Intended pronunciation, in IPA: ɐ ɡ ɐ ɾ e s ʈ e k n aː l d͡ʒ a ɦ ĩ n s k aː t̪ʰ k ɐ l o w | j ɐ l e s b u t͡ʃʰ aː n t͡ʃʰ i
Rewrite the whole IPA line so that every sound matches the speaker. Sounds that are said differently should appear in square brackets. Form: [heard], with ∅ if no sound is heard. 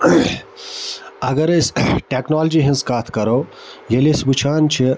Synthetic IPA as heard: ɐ ɡ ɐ ɾ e s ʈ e k n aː l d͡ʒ [i] ɦ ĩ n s k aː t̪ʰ k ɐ [ɾ] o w | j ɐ l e s b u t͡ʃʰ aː n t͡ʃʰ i